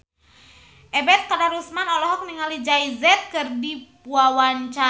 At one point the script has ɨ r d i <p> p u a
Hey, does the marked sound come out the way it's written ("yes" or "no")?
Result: yes